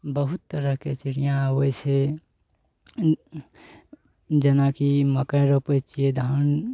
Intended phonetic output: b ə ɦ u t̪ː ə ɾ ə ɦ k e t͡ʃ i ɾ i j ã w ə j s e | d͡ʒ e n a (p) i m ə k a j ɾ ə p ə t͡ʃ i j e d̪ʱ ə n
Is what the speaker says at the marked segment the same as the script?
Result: no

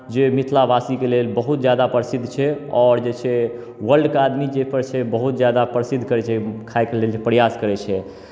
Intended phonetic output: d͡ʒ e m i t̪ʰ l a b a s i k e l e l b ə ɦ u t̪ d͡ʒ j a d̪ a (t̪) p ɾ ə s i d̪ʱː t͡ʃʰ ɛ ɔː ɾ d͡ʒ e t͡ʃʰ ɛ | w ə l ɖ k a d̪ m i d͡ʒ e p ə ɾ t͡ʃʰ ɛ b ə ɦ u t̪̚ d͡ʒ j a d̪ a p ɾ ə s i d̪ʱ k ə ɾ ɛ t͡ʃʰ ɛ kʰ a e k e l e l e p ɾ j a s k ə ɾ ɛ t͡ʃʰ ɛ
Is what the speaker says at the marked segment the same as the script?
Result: no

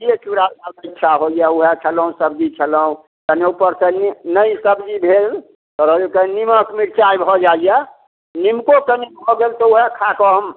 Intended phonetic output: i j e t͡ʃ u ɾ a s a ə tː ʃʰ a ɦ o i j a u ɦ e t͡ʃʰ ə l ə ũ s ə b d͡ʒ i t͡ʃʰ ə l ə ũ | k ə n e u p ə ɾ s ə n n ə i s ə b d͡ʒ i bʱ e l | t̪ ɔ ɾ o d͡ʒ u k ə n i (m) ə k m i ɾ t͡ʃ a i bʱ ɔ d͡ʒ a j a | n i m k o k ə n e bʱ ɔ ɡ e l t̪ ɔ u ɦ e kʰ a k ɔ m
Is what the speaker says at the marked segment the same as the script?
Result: yes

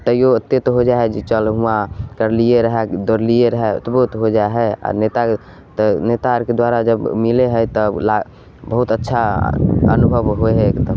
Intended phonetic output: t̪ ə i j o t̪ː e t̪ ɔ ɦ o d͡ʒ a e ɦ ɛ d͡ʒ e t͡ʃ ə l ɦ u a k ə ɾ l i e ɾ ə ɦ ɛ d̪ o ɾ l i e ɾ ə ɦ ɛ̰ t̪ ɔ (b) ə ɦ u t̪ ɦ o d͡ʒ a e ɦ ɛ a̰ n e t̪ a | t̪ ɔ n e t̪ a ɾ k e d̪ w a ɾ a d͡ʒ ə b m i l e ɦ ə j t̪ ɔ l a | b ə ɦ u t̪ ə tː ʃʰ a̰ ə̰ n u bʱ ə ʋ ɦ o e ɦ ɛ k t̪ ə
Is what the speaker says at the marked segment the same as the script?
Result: yes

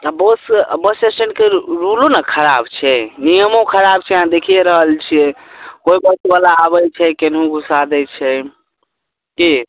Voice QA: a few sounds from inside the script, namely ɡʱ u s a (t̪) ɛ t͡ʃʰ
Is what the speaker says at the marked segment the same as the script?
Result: no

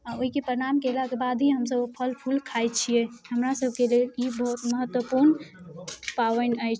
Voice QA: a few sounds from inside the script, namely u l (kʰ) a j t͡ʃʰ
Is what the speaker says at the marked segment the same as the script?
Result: yes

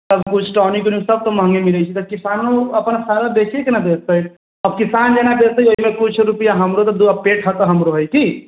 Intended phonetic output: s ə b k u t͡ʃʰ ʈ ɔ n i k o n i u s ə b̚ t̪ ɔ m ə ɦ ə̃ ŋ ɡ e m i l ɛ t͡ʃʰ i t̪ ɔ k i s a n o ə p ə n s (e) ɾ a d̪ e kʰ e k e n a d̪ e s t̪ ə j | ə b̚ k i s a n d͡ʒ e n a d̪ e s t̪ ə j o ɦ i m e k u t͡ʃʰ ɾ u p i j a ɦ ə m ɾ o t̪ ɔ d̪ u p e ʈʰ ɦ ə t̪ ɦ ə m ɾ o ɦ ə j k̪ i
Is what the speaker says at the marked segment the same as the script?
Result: no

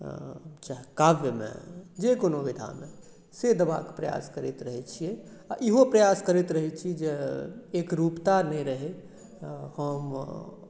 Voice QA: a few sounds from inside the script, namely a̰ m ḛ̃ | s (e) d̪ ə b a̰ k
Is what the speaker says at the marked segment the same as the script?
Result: yes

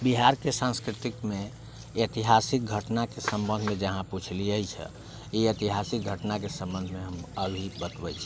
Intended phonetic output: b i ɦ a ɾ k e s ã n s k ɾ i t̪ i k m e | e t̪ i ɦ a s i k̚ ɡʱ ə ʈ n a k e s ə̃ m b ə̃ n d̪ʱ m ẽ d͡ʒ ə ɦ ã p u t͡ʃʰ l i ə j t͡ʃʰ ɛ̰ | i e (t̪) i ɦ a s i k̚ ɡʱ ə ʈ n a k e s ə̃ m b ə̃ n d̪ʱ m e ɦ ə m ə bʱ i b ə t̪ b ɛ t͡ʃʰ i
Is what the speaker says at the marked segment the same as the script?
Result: yes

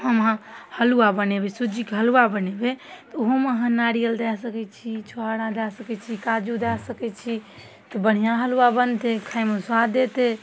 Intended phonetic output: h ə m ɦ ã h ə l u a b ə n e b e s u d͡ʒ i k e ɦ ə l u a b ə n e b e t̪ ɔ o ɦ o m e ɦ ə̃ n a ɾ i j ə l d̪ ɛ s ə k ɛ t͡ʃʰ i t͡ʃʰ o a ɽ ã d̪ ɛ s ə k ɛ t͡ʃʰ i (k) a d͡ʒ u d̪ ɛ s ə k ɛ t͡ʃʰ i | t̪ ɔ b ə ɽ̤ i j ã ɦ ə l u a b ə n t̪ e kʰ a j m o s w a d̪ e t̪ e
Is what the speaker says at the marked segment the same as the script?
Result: yes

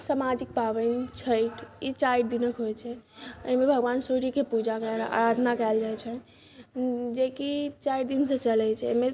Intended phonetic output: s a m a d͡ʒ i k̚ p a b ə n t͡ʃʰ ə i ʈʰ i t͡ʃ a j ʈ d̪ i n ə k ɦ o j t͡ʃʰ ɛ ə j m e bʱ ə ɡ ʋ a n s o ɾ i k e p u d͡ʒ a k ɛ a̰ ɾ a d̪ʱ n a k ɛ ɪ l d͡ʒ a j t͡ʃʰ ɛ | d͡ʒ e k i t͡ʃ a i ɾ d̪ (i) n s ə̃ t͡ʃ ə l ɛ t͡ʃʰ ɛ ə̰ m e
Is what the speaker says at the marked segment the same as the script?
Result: yes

